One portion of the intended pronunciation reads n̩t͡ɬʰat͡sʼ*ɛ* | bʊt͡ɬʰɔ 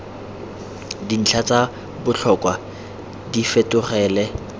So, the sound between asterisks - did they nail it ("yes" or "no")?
no